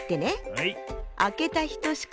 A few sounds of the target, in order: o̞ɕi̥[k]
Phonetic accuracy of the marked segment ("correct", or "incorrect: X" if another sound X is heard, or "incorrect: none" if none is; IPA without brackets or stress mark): correct